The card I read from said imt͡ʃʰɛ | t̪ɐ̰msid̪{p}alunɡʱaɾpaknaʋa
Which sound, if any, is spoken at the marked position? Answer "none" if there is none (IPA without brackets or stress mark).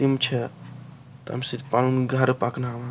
p